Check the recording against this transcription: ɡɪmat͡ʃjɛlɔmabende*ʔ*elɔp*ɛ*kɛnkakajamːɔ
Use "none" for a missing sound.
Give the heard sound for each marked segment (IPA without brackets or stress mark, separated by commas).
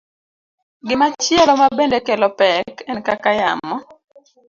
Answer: k, ɛ